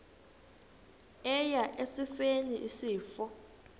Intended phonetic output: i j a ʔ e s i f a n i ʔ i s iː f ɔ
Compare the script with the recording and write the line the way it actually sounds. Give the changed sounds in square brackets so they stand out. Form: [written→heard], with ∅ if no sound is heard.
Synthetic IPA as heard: [i→ɛ] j a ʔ e s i f [a→e] n i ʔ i s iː f ɔ